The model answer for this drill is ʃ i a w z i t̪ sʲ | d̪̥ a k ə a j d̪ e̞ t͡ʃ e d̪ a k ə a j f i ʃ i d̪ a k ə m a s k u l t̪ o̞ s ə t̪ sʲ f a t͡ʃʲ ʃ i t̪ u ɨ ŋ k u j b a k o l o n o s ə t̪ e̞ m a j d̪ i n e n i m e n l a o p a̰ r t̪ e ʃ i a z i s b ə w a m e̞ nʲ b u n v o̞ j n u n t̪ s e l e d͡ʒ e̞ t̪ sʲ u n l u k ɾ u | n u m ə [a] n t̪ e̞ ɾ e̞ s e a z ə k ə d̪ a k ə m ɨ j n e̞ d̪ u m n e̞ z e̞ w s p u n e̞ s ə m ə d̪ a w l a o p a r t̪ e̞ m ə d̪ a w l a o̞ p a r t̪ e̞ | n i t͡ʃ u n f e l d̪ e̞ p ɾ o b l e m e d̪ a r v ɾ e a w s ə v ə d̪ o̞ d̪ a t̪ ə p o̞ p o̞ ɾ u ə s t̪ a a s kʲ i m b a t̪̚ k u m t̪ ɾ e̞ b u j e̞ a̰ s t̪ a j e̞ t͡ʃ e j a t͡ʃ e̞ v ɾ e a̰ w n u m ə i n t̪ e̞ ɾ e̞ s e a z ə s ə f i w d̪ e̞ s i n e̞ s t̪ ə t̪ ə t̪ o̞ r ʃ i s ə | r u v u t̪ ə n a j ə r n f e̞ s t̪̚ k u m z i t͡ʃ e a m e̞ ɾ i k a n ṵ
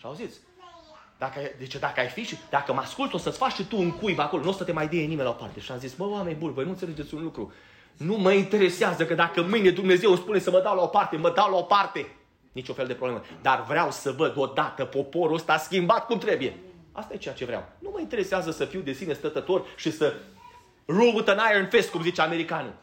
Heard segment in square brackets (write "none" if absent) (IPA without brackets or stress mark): i